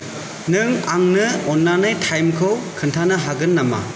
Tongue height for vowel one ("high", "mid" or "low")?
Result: high